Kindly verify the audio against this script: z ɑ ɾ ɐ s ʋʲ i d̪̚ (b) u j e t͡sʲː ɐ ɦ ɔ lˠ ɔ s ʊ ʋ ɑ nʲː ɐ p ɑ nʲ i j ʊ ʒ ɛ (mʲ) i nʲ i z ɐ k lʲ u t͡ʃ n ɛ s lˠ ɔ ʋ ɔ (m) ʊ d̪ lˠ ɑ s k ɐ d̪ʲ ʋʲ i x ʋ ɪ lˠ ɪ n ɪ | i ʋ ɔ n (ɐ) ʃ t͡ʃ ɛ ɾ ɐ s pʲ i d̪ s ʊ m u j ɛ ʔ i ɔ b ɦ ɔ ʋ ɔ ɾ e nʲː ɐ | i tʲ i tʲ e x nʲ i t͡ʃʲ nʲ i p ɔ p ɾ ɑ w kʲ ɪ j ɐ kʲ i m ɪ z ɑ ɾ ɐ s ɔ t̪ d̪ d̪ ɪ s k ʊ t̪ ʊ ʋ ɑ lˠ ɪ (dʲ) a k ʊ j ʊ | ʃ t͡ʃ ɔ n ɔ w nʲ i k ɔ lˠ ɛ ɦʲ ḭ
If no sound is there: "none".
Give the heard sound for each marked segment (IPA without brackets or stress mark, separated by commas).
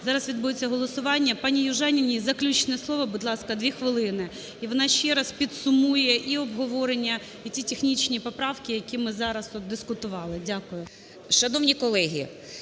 b, nʲ, b, ɑ, dʲ